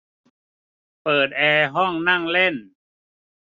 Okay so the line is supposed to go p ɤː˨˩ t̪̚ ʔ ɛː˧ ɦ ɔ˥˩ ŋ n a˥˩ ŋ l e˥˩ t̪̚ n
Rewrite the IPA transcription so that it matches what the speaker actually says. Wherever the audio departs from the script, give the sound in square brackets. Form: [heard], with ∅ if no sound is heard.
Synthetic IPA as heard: p ɤː˨˩ t̪̚ ʔ ɛː˧ ɦ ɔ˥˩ ŋ n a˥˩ ŋ l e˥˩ [∅] n